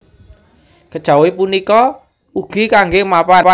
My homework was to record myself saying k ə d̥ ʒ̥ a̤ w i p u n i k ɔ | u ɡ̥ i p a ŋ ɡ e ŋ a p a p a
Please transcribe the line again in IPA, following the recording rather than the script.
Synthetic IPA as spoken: k ə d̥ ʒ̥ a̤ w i p u n i k ɔ | u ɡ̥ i k a ŋ ɡ e m a p a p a